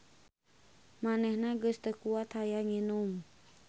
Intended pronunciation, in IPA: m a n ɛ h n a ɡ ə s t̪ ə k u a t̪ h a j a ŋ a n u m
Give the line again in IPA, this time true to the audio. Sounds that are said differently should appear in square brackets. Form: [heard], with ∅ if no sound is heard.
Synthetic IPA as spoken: m a n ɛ h n a ɡ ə s t̪ ə k u a t̪ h a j a ŋ [i] n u m